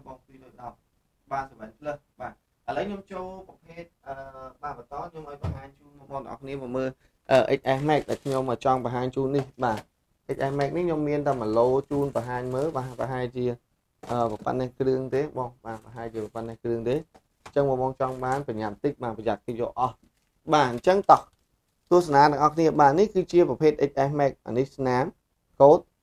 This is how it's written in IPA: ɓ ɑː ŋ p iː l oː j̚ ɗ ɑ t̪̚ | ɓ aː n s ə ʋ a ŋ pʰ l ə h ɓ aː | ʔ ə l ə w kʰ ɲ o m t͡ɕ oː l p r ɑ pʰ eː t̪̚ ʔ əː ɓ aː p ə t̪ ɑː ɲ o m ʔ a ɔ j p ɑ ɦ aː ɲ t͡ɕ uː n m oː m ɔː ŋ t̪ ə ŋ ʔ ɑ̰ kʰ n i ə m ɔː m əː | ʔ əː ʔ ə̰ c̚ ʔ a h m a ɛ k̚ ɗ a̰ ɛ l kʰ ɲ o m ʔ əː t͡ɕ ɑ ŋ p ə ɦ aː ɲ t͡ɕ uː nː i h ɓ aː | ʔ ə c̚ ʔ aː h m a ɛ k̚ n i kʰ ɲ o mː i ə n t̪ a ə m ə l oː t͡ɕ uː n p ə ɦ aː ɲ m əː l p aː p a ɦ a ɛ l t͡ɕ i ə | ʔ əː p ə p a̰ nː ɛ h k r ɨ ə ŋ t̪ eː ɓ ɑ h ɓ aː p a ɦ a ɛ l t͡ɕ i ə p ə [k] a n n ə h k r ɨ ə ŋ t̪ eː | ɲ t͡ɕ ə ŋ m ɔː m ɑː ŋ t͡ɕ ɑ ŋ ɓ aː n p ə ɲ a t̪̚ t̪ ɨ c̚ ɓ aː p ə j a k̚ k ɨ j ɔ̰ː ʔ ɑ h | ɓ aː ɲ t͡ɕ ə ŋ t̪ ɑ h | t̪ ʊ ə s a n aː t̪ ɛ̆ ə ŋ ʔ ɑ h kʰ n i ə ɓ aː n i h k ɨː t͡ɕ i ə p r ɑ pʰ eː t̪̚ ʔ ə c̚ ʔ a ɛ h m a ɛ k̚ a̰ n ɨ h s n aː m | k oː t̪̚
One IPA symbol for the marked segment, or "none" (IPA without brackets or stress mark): p